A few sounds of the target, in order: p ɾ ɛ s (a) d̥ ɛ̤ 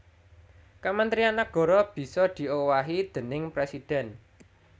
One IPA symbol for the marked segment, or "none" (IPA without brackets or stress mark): i